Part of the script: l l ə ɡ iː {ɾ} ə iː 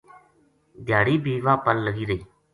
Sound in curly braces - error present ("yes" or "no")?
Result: no